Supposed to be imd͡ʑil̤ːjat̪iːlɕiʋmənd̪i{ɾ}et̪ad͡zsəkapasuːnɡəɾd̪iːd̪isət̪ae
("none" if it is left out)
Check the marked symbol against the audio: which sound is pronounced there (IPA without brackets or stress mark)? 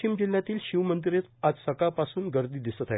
ɾ